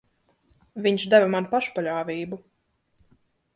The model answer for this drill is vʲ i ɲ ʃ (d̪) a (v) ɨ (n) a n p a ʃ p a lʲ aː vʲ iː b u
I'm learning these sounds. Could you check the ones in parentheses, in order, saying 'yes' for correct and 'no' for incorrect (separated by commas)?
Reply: yes, yes, no